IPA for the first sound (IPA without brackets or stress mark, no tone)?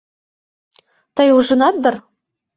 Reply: t̪